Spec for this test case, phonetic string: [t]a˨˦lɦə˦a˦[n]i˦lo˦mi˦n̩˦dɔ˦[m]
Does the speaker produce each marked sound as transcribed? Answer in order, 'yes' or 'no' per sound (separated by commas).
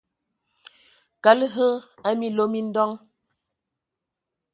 no, no, no